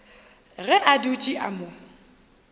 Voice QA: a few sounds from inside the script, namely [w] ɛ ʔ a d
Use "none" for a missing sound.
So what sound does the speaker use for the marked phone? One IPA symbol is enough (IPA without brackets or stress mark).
ɣ